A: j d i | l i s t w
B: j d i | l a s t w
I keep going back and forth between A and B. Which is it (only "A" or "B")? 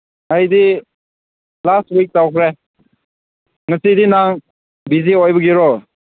B